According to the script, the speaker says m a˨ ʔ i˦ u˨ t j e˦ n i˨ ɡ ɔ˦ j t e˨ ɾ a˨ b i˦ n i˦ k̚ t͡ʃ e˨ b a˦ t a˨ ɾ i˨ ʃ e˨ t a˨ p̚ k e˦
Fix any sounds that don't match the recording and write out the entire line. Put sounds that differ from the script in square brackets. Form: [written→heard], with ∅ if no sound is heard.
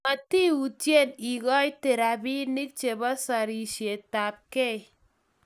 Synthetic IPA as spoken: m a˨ [ʔ→t] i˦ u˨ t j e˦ n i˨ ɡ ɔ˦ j t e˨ ɾ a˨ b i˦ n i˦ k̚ t͡ʃ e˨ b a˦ [t→s] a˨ ɾ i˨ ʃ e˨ t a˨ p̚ k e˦